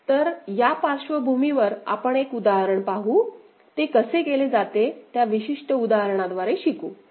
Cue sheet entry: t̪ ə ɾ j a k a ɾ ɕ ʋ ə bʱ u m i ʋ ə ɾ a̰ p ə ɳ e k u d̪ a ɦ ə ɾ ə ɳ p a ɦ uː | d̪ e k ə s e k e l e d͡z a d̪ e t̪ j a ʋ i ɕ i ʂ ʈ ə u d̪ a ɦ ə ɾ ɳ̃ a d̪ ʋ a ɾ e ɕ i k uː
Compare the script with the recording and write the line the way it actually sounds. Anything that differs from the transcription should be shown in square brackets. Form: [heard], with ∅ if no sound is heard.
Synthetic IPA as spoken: t̪ ə ɾ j a [p] a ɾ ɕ ʋ ə bʱ u m i ʋ ə ɾ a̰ p ə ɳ e k u d̪ a ɦ ə ɾ ə ɳ p a ɦ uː | [t̪] e k ə s e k e l e d͡z a [t̪] e t̪ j a ʋ i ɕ i ʂ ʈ ə u d̪ a ɦ ə ɾ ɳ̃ a d̪ ʋ a ɾ e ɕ i k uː